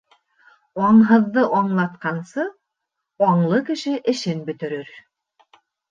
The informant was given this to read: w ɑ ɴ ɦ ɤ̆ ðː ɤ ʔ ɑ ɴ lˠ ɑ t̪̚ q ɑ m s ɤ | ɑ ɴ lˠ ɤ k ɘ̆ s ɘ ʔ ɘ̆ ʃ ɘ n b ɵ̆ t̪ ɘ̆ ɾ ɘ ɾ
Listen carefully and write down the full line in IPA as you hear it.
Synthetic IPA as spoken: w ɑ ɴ ɦ ɤ̆ ðː ɤ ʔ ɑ ɴ lˠ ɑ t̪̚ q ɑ n s ɤ | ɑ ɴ lˠ ɤ k ɘ̆ ʃ ɘ ʔ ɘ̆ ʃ ɘ n b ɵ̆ t̪ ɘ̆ ɾ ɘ ɾ